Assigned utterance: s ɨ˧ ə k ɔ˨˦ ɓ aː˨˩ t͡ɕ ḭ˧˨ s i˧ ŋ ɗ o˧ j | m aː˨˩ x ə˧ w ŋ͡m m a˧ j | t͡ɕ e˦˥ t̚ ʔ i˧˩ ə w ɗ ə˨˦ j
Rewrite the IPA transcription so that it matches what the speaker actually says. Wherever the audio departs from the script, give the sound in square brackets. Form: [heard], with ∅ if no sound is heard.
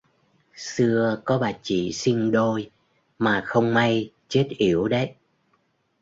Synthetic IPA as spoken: s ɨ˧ ə k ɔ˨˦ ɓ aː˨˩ t͡ɕ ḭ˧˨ s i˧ ŋ ɗ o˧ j | m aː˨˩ x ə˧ w ŋ͡m m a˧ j | t͡ɕ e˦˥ t̚ ʔ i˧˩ ə w ɗ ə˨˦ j